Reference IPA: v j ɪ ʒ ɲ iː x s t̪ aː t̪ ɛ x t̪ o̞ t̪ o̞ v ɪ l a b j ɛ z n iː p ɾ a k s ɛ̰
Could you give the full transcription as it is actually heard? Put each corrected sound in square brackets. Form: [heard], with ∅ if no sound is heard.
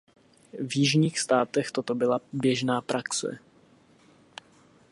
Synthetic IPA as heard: v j ɪ ʒ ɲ iː x s t̪ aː t̪ ɛ x t̪ o̞ t̪ o̞ [b] ɪ l a b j ɛ [ʒ] n [aː] p ɾ a k s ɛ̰